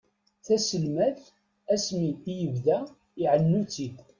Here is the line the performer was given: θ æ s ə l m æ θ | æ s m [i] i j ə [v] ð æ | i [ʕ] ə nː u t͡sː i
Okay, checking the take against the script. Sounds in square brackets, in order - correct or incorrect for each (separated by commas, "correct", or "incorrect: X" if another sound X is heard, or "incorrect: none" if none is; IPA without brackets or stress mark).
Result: correct, correct, correct